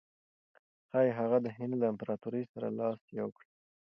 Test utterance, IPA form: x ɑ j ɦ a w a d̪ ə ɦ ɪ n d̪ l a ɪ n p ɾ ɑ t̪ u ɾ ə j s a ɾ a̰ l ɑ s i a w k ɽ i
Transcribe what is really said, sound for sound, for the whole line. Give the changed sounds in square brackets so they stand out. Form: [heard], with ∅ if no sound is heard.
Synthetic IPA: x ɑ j ɦ a [ɣ] a d̪ ə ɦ ɪ n d̪ l a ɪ [m] p ɾ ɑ t̪ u ɾ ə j s a ɾ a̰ l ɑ s [j] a w k ɽ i